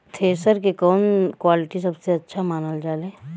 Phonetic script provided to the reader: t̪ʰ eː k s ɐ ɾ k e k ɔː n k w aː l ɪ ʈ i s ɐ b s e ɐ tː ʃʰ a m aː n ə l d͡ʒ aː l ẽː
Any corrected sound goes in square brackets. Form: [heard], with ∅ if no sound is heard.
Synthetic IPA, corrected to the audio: t̪ʰ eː [∅] s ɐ ɾ k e k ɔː n k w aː l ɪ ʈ i s ɐ b s e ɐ tː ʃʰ a m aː n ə l d͡ʒ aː l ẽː